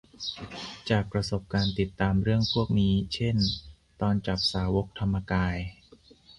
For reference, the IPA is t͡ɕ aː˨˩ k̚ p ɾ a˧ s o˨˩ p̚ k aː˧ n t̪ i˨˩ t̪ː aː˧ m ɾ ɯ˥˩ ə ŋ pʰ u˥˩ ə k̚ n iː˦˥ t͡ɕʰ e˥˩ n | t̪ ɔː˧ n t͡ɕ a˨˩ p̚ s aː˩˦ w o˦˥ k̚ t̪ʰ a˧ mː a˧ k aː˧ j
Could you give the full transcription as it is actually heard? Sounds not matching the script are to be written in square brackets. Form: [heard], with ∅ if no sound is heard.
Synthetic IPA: t͡ɕ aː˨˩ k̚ p ɾ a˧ s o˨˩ p̚ k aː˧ n t̪ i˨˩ t̪ː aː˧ m ɾ ɯ˥˩ ə ŋ pʰ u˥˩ ə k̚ n iː˦˥ t͡ɕʰ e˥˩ n | t̪ ɔː˧ n t͡ɕ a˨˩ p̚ s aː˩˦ w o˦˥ k̚ t̪ʰ a˧ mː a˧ k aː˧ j

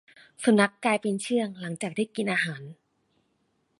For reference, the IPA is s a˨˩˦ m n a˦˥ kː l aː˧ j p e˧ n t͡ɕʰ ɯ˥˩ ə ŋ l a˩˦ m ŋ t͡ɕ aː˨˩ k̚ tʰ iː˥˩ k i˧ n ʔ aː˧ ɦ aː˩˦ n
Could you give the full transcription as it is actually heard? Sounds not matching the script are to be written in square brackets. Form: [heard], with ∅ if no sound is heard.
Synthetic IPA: s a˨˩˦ m n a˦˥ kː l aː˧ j p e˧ n t͡ɕʰ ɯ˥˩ ə ŋ l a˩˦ [∅] ŋ t͡ɕ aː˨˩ k̚ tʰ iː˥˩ k i˧ n ʔ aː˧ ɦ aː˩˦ n

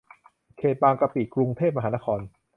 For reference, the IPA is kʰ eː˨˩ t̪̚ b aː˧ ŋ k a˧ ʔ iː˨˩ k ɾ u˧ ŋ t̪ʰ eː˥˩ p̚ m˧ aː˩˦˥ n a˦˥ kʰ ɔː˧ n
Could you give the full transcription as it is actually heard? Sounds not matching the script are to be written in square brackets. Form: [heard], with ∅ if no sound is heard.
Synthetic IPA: kʰ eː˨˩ t̪̚ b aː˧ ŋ k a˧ [p] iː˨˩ k ɾ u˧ ŋ t̪ʰ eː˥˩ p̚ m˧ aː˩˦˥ n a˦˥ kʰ ɔː˧ n

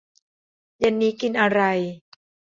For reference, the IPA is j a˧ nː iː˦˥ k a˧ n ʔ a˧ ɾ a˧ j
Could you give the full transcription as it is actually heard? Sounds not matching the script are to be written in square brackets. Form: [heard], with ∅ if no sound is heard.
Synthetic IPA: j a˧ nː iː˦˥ k [i˧] n ʔ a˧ ɾ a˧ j

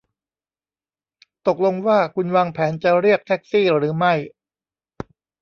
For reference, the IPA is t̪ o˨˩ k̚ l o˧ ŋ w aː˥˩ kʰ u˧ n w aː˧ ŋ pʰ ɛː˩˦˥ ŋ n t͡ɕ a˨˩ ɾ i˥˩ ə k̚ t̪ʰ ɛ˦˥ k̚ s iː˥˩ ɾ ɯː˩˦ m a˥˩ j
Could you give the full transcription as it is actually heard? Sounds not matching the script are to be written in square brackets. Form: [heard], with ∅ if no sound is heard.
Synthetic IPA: t̪ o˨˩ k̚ l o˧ ŋ w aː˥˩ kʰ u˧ n w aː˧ ŋ pʰ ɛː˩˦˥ [∅] n t͡ɕ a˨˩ ɾ i˥˩ ə k̚ t̪ʰ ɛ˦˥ k̚ s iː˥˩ ɾ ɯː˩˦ m a˥˩ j

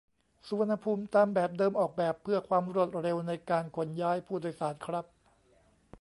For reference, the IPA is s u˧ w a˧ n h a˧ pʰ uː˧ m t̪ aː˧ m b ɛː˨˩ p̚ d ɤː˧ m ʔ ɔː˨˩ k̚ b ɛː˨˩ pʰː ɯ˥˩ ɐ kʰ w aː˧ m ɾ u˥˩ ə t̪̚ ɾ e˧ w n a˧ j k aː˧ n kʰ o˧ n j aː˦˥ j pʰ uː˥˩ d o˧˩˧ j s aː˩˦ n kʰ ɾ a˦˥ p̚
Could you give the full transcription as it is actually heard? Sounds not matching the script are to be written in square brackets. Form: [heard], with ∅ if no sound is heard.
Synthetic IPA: s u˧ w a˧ n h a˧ pʰ uː˧ m t̪ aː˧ m b ɛː˨˩ p̚ d ɤː˧ m ʔ ɔː˨˩ k̚ b ɛː˨˩ pʰː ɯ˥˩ ɐ kʰ w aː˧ m ɾ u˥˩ ə t̪̚ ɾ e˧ w n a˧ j k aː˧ n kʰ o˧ n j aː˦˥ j pʰ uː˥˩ d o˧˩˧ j s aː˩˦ n kʰ ɾ a˦˥ p̚

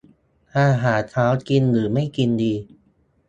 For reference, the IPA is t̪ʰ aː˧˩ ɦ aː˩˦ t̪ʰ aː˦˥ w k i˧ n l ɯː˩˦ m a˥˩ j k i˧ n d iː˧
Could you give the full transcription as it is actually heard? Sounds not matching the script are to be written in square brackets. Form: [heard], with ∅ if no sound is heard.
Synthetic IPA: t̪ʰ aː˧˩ ɦ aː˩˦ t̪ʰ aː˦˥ w k i˧ n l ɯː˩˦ m a˥˩ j k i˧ n d iː˧

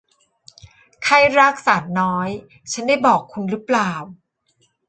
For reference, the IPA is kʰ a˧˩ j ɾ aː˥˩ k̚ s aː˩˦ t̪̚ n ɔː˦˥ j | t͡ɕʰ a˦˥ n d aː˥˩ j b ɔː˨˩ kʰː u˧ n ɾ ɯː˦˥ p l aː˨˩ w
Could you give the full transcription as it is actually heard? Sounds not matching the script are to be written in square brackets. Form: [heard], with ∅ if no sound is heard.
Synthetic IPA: kʰ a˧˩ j ɾ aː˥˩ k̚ s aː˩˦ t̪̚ n ɔː˦˥ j | t͡ɕʰ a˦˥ n d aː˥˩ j b ɔː˨˩ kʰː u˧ n ɾ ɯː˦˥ p l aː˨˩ w

